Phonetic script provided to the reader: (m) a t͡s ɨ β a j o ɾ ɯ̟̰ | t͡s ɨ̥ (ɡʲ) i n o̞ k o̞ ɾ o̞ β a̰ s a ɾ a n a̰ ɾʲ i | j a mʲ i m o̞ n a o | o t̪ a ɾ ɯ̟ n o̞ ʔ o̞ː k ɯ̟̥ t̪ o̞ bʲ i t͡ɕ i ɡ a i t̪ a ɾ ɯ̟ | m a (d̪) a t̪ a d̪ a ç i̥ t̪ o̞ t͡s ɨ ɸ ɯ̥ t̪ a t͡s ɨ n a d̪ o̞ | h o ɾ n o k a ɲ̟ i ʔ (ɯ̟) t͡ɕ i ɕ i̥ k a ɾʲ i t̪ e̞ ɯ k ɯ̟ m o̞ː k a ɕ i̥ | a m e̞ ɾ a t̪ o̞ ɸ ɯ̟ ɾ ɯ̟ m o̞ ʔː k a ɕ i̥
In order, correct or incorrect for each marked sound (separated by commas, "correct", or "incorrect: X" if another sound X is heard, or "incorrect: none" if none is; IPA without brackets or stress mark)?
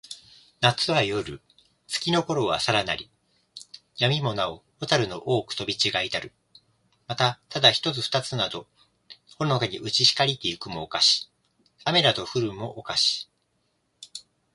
incorrect: n, incorrect: kʲ, incorrect: t̪, correct